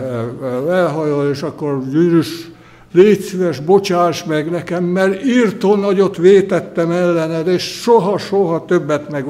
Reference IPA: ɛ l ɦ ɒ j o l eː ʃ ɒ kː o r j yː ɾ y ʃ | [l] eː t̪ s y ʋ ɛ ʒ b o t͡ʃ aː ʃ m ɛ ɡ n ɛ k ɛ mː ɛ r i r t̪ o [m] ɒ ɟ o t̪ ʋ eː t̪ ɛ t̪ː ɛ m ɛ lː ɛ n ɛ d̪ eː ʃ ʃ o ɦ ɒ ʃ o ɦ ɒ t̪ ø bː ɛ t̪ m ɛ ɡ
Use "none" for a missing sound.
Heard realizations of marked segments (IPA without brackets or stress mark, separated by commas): l, n